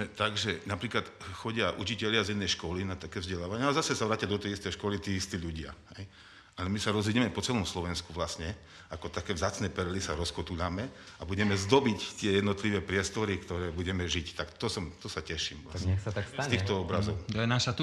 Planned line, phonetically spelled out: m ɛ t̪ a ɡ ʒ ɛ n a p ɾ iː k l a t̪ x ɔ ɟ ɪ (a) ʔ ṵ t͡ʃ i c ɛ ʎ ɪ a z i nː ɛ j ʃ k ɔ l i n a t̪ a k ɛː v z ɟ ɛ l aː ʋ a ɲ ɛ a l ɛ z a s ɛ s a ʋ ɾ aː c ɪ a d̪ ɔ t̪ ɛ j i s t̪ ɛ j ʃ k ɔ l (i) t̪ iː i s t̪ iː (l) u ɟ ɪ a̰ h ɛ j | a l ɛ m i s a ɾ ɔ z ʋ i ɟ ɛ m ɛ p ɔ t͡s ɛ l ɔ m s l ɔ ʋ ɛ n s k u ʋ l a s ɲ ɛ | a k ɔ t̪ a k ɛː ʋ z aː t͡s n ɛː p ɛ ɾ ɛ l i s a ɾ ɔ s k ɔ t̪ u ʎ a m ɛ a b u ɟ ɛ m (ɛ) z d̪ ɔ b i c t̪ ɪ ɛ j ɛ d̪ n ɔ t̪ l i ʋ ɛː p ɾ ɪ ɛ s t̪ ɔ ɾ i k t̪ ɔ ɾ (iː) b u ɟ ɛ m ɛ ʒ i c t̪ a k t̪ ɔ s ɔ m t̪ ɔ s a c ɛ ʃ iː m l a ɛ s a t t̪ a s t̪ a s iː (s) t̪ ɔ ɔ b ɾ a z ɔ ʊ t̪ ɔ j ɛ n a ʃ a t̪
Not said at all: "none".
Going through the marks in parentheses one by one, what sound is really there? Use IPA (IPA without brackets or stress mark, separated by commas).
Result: a, i, ʎ, ɛ, ɛː, x